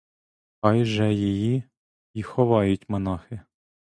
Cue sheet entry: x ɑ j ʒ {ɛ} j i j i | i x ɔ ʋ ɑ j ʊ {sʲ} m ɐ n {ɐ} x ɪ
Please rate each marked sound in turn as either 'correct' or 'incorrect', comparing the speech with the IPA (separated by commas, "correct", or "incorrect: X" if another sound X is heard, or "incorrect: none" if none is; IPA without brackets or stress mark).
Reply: correct, incorrect: tʲ, incorrect: ɑ